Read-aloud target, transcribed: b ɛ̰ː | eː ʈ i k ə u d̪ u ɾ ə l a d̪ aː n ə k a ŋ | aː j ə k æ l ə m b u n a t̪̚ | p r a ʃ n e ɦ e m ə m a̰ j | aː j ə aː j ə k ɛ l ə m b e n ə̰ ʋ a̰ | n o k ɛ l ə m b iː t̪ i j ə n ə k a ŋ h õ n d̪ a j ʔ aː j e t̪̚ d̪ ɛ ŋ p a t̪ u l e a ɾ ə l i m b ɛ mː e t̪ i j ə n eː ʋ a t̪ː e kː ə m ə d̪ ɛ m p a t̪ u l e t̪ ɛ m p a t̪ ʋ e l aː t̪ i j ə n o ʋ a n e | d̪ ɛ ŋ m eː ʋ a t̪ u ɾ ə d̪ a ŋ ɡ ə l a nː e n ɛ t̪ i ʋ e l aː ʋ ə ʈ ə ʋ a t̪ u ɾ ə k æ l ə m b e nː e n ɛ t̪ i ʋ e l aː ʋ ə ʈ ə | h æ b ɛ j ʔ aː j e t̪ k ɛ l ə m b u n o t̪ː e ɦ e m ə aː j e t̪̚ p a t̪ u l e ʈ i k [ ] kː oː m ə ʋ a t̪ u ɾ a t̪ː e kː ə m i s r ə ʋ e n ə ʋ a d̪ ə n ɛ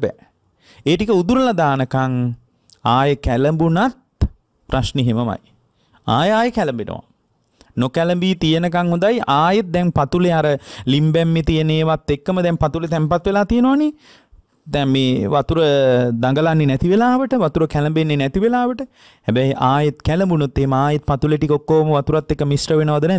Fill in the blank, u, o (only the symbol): o